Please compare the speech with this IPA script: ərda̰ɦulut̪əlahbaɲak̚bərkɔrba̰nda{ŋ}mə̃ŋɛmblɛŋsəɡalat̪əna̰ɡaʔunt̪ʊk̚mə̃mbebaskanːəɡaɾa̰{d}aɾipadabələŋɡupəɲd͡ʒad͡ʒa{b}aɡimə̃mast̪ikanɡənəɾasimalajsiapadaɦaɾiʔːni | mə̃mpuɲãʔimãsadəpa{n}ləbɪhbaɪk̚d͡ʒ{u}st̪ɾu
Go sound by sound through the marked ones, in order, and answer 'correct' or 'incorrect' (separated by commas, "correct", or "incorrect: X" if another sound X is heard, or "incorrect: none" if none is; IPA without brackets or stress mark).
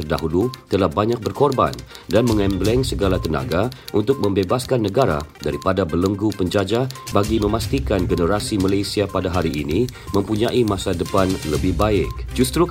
incorrect: n, correct, correct, correct, correct